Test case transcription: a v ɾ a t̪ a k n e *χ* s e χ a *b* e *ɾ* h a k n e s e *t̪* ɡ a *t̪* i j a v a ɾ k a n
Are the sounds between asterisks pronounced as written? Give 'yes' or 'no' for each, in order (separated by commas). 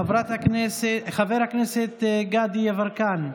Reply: no, no, yes, yes, no